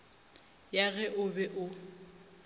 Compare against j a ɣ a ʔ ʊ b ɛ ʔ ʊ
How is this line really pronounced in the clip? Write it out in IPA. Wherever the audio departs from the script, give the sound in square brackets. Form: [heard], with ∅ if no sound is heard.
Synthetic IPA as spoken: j a ɣ [ɛ] ʔ ʊ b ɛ ʔ ʊ